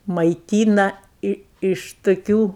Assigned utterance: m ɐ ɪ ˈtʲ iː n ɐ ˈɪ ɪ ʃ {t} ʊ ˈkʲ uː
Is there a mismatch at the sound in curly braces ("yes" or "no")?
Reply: no